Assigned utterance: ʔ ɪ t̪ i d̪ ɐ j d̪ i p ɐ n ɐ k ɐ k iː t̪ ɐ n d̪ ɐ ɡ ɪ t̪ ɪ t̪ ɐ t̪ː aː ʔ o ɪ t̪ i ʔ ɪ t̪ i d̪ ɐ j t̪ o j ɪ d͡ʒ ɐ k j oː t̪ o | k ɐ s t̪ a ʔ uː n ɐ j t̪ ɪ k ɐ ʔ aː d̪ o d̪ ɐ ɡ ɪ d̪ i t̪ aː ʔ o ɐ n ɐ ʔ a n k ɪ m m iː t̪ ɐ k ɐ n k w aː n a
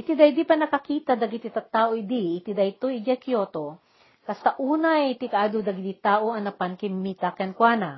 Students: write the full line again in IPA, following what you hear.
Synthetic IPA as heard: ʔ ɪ t̪ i d̪ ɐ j d̪ i p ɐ n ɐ k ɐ k iː t̪ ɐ d̪ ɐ ɡ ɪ t̪ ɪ t̪ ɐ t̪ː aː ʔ o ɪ d̪ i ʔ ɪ t̪ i d̪ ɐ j t̪ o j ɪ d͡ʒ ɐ k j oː t̪ o | k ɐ s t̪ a ʔ uː n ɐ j t̪ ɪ k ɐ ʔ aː d̪ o d̪ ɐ ɡ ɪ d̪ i t̪ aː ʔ o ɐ n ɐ p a n k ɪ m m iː t̪ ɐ k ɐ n k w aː n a